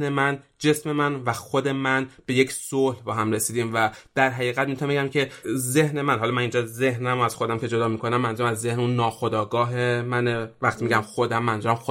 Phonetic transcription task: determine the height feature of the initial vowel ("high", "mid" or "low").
mid